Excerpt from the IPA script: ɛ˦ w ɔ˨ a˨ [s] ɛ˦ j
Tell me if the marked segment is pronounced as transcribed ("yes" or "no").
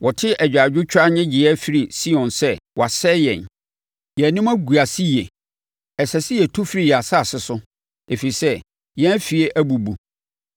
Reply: yes